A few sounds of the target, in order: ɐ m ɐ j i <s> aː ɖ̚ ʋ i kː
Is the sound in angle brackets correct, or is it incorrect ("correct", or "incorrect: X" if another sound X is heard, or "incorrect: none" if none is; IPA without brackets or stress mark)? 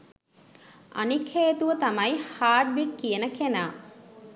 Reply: incorrect: h